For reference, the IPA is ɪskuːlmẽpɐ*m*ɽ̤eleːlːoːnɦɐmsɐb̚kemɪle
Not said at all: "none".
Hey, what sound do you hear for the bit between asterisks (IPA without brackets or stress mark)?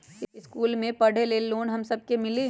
none